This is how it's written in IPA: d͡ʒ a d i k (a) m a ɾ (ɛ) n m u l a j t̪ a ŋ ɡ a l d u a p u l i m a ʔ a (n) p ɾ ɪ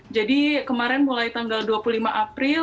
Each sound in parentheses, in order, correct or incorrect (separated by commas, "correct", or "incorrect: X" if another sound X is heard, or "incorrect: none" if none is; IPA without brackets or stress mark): incorrect: ə, correct, incorrect: none